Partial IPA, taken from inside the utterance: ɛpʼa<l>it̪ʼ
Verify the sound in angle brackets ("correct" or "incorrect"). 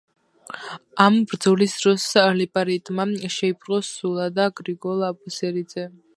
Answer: incorrect